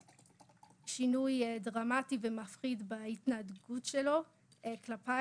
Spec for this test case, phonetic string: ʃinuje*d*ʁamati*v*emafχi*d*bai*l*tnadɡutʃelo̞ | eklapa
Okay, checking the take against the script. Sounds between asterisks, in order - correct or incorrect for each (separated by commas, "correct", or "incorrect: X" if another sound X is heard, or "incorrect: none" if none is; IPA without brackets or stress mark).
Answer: correct, correct, correct, incorrect: none